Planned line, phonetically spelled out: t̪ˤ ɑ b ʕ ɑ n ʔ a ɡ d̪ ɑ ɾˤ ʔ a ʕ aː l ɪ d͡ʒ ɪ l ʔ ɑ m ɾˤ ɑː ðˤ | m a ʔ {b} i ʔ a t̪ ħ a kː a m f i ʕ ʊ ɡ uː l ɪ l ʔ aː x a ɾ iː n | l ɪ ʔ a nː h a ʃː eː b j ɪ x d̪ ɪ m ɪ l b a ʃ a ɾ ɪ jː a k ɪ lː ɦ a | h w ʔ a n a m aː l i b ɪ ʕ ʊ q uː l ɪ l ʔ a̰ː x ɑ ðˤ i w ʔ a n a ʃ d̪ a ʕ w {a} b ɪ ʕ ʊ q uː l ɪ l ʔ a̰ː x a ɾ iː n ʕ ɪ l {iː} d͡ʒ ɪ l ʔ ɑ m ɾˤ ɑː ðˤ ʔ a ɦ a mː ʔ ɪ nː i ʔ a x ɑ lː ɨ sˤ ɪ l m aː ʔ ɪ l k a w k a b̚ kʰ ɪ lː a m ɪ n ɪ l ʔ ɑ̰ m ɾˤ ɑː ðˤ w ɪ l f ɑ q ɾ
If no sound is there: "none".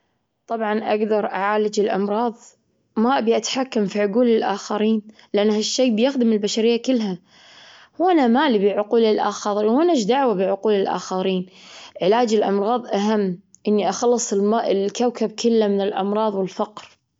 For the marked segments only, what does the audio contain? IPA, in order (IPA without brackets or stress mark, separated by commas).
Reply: b, a, aː